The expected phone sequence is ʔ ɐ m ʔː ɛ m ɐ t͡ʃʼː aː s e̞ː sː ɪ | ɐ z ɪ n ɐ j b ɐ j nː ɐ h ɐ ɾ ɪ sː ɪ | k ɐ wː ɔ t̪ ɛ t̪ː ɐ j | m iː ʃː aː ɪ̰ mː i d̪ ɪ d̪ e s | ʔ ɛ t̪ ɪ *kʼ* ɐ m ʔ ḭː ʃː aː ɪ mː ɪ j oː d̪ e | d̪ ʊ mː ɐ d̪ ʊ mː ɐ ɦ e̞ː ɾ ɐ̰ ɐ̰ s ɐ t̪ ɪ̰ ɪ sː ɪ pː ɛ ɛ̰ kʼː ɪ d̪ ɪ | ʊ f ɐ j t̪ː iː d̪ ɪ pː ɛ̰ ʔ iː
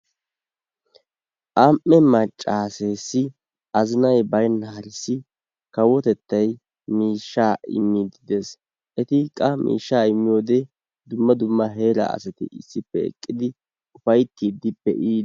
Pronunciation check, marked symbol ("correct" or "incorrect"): correct